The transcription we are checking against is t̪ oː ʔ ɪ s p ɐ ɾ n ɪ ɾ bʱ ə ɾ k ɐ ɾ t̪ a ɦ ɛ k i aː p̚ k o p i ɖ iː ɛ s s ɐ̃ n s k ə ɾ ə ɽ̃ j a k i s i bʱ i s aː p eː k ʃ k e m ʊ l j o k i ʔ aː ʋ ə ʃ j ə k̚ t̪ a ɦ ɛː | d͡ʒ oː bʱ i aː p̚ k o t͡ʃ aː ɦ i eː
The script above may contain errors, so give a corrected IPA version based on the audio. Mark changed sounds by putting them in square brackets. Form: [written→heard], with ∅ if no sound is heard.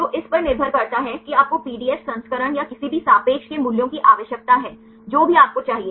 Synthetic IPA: t̪ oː ʔ ɪ s p ɐ ɾ n ɪ ɾ bʱ ə ɾ k ɐ ɾ t̪ a ɦ ɛ k i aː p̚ k o p [i→iː] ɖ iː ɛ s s ɐ̃ n s k ə ɾ ə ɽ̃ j a k [i→ɪ] s i bʱ i s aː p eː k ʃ k e m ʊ l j [o→õ] k i ʔ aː ʋ ə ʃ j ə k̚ t̪ a ɦ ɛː | d͡ʒ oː bʱ i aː p̚ k o t͡ʃ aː ɦ i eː